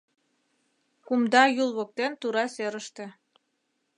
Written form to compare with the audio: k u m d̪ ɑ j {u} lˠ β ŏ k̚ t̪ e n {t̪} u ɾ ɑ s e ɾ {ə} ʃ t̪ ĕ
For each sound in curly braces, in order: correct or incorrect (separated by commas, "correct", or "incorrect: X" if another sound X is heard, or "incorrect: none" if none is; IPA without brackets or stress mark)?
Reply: correct, correct, correct